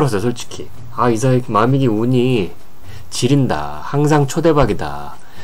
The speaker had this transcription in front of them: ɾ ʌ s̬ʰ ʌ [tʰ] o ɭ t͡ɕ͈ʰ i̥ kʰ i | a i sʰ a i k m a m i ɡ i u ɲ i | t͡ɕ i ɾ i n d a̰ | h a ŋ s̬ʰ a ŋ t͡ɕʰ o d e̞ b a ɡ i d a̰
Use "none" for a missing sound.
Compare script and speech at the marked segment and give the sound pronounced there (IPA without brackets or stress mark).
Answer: sʰ